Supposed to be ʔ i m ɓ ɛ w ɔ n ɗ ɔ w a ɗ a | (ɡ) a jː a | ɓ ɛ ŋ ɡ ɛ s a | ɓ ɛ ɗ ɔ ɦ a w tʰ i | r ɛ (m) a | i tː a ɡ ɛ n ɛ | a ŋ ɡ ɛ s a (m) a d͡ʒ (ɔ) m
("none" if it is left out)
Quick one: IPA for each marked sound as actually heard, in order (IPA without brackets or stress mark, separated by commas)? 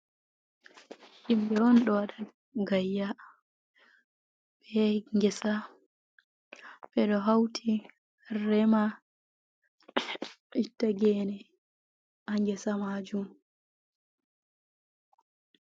ɡ, m, m, u